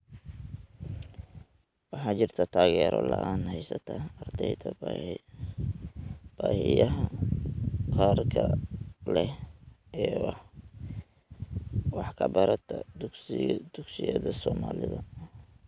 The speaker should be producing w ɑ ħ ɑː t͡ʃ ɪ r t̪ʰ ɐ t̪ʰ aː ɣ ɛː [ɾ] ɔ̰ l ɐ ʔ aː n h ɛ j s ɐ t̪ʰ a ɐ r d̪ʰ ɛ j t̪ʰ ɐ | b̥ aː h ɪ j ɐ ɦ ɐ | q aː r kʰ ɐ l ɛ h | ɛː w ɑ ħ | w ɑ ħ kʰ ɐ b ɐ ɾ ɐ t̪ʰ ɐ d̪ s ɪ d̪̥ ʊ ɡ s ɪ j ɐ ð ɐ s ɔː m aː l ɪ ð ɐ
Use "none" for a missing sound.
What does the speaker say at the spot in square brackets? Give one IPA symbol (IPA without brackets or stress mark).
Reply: ɾ